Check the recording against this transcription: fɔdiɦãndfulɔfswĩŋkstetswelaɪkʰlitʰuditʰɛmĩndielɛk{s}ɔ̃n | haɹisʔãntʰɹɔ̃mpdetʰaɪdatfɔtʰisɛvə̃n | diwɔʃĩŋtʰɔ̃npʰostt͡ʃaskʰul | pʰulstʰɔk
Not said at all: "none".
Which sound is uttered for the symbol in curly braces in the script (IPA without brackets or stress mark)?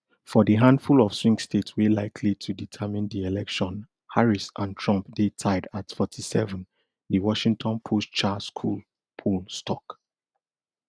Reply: ʃ